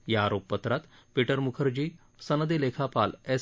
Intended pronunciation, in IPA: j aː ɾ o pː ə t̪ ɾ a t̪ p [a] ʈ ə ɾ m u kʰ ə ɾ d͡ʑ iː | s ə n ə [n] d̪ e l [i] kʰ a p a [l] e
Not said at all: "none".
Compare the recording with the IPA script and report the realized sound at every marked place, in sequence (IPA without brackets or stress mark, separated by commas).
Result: i, none, e, l